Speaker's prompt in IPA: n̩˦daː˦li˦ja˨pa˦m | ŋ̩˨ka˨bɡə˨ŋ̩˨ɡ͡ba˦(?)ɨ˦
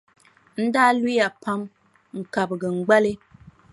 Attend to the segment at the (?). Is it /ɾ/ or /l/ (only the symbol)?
l